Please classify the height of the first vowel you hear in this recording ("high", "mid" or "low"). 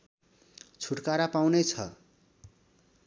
high